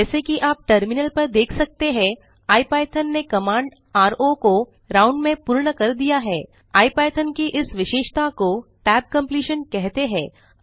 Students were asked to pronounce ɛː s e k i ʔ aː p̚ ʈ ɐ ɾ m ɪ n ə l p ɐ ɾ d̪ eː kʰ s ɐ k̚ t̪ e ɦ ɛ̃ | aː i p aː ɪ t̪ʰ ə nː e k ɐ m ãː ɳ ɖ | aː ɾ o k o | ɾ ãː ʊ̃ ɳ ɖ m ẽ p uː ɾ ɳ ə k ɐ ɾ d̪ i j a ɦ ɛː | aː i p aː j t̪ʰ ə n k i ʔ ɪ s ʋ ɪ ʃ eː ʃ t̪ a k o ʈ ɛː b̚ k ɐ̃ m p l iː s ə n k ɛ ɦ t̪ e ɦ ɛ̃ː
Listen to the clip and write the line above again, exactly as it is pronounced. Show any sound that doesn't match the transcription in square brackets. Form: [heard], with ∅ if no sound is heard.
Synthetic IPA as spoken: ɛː s e k i ʔ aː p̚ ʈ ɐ ɾ m ɪ n ə l p ɐ ɾ d̪ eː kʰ s ɐ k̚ t̪ e ɦ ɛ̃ | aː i p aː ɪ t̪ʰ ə nː e k ɐ m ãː ɳ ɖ | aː ɾ o k o | ɾ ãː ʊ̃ ɳ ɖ m ẽ p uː ɾ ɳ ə k ɐ ɾ d̪ i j a ɦ ɛː | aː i p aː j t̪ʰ ə n k i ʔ ɪ s ʋ ɪ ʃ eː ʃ t̪ a k o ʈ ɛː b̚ k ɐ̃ m p l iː [ʃ] ə n k ɛ ɦ t̪ e ɦ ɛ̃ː